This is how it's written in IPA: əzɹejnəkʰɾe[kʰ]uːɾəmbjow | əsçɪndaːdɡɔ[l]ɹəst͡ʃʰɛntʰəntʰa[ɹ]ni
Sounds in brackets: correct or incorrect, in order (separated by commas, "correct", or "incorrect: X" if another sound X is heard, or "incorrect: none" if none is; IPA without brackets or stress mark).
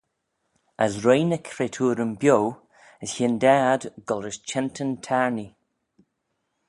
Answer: incorrect: tʰ, correct, correct